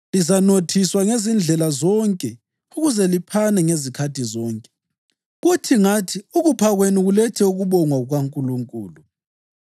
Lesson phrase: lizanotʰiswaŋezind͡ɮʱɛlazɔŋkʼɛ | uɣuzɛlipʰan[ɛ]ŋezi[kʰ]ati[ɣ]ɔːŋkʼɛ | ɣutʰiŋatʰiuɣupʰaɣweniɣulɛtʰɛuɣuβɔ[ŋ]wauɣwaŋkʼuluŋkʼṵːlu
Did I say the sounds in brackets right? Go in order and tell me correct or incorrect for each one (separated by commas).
correct, correct, incorrect, correct